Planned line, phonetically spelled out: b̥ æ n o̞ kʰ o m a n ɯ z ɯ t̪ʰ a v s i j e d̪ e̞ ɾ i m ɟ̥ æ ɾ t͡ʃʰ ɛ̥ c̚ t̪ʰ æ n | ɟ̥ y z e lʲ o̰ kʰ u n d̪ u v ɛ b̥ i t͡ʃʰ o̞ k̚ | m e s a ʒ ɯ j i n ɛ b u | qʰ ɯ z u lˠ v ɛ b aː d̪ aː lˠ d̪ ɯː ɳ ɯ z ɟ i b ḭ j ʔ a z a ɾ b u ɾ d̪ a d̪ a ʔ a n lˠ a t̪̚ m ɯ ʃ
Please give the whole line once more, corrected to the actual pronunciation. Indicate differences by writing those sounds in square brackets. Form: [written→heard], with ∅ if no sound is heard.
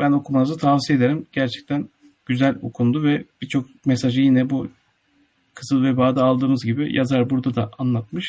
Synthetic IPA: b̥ æ n o̞ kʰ [o→u] m a n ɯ z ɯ t̪ʰ a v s i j e d̪ e̞ ɾ i m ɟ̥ æ ɾ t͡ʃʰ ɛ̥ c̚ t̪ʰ æ n | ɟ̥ y z [e→æ] lʲ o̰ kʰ u n d̪ u v ɛ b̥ i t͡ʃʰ o̞ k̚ | m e s a ʒ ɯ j i n ɛ b u | [qʰ→kʰ] ɯ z [u→ɯ] lˠ v ɛ b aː d̪ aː lˠ d̪ ɯː [ɳ→m] ɯ z ɟ i b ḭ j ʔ a z a ɾ b u ɾ d̪ a d̪ a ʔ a n lˠ a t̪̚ m ɯ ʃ